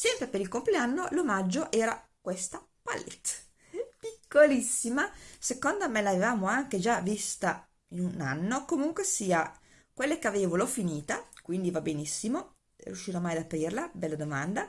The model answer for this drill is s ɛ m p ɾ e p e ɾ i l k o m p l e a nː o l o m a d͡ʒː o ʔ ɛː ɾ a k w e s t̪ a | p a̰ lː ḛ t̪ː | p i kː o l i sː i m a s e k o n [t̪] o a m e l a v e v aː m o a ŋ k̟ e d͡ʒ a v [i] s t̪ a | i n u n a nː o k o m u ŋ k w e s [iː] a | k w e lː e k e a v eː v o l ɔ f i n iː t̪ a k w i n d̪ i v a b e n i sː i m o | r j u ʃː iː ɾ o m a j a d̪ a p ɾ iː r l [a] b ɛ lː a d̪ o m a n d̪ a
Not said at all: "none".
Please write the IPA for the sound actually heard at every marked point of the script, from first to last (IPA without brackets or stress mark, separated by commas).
d̪, i, iː, a